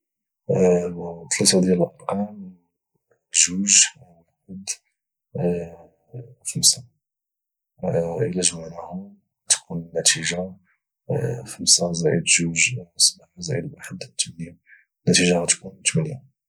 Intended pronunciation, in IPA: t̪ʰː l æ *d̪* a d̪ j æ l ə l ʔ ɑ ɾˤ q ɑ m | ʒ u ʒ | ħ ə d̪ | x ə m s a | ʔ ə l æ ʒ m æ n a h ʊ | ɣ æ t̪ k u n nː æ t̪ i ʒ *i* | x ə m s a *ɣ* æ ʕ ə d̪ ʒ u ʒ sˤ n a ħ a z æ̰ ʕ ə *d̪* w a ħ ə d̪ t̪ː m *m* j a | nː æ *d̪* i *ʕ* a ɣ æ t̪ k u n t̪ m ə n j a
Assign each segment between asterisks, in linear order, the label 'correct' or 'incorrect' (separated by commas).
incorrect, incorrect, incorrect, correct, incorrect, incorrect, incorrect